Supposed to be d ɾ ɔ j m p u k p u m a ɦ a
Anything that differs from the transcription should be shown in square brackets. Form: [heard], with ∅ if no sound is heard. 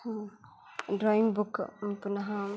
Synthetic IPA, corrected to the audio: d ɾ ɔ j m [b] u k p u [n] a ɦ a